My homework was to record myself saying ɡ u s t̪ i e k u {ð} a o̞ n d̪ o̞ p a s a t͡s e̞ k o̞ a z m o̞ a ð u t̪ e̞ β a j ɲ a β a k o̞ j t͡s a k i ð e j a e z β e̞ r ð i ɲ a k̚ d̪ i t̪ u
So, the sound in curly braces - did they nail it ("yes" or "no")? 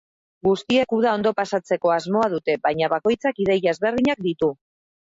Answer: yes